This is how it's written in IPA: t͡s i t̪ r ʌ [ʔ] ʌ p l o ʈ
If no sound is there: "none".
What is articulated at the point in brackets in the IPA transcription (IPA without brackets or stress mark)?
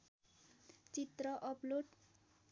ʔ